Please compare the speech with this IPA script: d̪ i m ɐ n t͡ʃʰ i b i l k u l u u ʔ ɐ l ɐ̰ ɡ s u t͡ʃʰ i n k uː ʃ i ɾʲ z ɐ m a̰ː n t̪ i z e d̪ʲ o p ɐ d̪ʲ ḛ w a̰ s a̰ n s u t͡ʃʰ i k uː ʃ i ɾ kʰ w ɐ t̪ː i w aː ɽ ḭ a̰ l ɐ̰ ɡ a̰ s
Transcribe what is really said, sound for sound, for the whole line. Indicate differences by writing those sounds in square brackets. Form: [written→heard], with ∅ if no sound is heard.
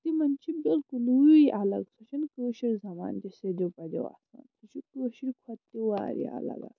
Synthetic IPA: [d̪→t̪] i m ɐ n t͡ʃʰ i b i l k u l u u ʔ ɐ l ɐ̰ ɡ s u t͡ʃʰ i n k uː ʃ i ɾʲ z ɐ m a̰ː n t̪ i [z→s] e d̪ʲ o p ɐ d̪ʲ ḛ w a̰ s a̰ n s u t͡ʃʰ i k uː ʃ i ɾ kʰ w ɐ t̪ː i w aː [ɽ→ɾ] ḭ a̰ l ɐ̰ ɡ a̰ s